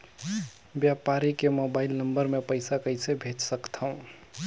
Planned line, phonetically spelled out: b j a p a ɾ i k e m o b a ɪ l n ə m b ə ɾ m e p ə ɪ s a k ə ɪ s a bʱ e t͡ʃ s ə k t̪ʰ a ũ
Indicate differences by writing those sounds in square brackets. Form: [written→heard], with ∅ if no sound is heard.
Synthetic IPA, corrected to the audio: b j a p a ɾ i k e m o b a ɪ l n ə m b ə ɾ m e p ə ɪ s a k ə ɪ s [a→e] bʱ e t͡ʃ s ə k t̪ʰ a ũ